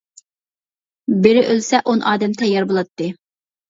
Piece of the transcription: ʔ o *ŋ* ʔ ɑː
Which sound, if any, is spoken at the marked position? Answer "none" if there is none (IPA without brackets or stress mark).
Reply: n